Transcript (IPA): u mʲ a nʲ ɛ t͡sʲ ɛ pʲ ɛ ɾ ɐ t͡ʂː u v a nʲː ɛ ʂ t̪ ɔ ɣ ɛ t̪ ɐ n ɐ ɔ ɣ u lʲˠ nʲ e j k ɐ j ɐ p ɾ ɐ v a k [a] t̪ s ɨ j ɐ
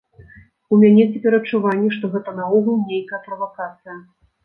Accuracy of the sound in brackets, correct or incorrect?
correct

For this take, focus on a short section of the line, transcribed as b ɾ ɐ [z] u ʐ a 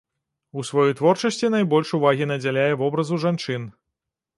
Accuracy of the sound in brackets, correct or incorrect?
correct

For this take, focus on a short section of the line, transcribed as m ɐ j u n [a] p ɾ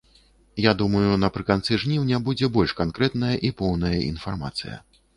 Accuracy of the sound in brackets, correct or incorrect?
incorrect: ɐ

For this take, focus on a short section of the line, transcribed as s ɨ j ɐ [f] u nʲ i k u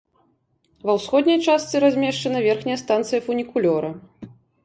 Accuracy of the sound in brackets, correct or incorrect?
correct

